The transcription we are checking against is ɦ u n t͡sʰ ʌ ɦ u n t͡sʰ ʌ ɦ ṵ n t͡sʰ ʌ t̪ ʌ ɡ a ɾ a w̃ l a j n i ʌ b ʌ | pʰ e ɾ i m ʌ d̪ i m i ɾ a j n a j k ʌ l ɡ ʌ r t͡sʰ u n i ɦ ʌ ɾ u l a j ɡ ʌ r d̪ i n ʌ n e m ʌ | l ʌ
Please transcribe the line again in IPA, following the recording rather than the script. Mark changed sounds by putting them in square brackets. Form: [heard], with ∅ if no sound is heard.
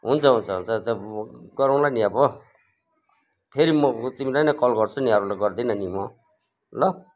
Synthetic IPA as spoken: ɦ u n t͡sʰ ʌ ɦ u n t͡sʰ ʌ ɦ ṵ n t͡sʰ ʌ t̪ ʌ ɡ [ʌ] ɾ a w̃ l a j n i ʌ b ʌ | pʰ e ɾ i m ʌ [t̪] i m i [l] a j n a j k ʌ l ɡ ʌ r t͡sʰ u n i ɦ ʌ ɾ u l a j ɡ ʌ r d̪ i n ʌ n [i] m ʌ | l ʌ